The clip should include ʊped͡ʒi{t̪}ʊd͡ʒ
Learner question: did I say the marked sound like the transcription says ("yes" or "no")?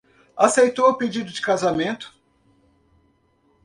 no